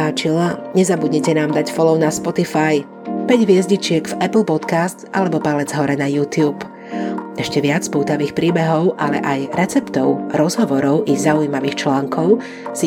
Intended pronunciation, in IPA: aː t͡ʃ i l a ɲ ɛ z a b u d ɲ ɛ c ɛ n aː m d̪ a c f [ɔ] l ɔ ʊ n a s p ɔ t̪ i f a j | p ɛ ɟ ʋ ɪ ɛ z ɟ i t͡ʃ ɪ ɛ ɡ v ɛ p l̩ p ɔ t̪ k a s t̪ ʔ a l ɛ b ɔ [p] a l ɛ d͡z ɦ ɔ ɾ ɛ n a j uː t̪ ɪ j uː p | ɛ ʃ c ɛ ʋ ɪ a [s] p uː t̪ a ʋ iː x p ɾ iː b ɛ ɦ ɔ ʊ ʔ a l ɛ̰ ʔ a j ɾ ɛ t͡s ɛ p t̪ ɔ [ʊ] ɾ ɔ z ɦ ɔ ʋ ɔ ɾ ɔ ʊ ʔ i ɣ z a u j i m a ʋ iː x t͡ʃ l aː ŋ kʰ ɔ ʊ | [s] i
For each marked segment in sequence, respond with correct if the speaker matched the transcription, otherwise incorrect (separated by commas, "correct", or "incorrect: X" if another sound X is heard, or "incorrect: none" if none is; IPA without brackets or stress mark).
correct, correct, incorrect: t͡s, correct, correct